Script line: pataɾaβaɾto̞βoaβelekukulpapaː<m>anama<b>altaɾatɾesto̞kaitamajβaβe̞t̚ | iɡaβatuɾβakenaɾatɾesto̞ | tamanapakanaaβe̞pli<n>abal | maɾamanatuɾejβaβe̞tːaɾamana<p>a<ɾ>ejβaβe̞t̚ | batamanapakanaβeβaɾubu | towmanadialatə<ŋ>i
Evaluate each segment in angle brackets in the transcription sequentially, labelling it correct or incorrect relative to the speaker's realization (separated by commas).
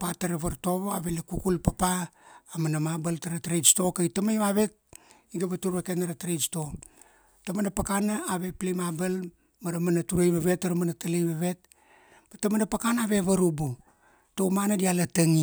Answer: correct, correct, incorrect, incorrect, incorrect, correct